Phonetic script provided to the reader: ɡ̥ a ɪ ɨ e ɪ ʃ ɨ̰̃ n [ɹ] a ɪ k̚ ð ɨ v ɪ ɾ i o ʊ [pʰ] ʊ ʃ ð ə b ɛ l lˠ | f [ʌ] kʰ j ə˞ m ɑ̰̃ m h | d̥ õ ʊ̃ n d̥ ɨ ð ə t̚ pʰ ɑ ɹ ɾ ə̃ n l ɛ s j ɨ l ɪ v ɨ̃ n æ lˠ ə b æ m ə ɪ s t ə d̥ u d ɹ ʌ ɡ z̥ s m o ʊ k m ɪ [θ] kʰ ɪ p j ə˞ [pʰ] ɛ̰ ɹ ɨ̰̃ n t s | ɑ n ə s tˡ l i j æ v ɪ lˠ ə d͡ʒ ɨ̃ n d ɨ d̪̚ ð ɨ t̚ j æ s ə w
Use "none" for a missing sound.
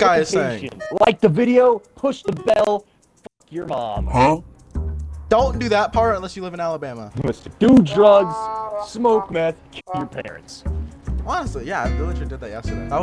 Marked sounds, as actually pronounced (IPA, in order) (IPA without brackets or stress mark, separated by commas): l, pʰ, ʌ, θ, pʰ